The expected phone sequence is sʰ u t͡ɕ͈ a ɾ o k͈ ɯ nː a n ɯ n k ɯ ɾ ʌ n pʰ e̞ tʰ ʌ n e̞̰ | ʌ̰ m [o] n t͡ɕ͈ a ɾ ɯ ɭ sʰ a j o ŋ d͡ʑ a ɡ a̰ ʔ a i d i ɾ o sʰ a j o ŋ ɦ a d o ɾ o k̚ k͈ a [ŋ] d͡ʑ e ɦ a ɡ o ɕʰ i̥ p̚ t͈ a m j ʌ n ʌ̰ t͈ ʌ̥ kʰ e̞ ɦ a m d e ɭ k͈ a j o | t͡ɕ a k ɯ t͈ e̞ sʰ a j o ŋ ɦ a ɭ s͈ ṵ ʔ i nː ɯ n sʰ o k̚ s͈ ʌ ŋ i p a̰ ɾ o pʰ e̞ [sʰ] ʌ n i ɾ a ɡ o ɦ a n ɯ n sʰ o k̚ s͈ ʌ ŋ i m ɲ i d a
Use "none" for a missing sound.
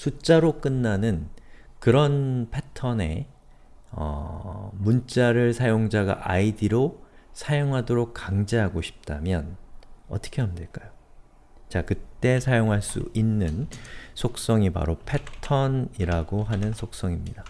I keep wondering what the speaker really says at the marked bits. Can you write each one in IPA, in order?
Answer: u, ŋ, tʰ

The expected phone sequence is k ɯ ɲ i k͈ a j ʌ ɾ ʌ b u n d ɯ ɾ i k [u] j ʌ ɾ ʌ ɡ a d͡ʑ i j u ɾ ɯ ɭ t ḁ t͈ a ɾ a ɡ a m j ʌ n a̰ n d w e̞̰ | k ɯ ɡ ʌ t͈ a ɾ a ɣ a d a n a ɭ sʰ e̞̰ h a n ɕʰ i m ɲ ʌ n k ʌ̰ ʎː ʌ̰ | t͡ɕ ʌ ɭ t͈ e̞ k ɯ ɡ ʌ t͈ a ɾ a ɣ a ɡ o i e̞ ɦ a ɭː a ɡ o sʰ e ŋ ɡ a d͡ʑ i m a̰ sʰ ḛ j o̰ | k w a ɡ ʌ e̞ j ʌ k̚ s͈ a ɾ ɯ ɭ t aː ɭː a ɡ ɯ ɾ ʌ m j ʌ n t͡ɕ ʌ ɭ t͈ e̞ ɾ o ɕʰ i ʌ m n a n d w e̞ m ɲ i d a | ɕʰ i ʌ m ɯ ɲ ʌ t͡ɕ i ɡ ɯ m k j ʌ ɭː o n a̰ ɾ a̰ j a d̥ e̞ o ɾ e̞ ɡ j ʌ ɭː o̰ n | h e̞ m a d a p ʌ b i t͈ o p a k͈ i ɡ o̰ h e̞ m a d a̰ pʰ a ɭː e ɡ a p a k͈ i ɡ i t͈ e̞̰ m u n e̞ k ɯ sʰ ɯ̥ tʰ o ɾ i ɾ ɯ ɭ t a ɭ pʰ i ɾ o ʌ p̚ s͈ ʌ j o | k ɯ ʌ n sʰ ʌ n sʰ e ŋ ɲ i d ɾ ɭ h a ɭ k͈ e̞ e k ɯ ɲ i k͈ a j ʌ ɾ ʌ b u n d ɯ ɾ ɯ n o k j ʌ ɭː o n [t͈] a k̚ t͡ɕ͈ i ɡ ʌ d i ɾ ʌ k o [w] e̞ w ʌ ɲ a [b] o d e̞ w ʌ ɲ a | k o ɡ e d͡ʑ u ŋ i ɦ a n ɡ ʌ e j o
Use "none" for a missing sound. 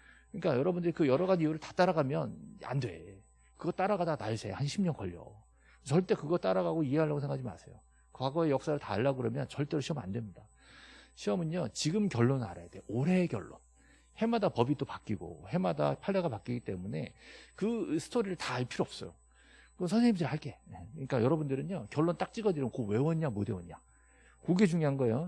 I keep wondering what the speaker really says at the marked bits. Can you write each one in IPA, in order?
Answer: ɯ, t͈, w, m

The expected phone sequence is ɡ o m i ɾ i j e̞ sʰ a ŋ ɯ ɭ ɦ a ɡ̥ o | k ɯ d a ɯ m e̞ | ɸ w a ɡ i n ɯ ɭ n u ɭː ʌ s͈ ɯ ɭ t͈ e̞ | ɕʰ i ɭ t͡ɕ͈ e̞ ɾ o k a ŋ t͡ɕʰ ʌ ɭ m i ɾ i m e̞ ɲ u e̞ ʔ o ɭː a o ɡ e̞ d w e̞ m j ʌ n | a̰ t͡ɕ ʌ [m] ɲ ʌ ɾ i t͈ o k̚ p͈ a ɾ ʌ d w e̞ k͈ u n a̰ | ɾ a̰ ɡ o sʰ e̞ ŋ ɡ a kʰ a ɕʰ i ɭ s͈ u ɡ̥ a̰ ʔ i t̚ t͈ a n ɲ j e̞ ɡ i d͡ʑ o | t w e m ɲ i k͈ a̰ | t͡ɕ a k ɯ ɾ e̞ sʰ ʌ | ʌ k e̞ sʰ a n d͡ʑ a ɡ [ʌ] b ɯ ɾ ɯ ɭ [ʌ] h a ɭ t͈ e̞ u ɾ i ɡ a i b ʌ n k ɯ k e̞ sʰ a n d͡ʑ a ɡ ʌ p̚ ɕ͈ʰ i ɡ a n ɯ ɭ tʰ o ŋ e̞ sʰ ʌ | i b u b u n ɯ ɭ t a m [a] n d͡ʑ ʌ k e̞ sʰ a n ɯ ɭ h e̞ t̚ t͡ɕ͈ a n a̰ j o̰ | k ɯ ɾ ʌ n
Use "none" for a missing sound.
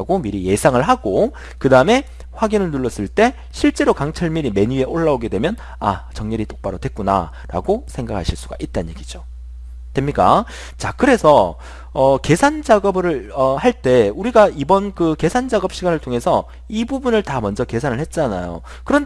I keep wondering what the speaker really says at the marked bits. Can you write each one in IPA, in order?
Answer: ŋ, ʌ, ʌ, ʌ

